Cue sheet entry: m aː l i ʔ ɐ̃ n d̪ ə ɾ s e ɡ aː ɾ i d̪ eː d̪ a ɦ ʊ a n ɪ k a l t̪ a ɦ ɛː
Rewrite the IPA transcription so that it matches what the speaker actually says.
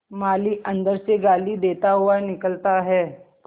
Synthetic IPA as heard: m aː l i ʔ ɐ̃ n d̪ ə ɾ s e ɡ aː l i d̪ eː t̪ a ɦ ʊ a n ɪ k ə l t̪ a ɦ ɛː